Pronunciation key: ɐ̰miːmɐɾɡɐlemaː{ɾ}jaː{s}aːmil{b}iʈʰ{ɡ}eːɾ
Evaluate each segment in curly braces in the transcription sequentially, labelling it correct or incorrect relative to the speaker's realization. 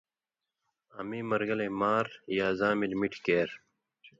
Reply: correct, incorrect: z, incorrect: m, incorrect: k

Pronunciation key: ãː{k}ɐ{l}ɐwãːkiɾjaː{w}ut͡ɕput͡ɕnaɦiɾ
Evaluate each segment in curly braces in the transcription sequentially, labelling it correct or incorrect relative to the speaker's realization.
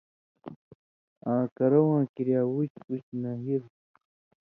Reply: correct, incorrect: ɾ, correct

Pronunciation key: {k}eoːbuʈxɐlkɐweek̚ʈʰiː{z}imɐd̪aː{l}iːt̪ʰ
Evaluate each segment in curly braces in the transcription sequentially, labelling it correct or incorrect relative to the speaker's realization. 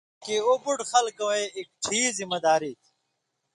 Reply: correct, correct, incorrect: ɾ

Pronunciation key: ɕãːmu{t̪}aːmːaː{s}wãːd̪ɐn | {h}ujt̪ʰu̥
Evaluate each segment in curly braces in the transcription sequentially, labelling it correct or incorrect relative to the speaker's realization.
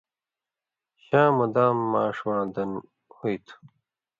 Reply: incorrect: d̪, incorrect: ʂ, correct

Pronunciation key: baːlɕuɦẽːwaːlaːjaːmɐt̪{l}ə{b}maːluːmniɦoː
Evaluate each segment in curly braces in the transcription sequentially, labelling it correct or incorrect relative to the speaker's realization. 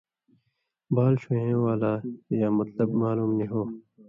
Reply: correct, correct

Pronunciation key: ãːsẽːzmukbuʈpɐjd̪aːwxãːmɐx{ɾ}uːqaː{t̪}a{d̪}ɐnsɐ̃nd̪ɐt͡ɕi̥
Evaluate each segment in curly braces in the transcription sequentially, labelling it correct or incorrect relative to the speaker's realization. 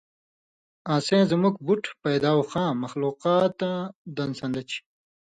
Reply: incorrect: l, correct, correct

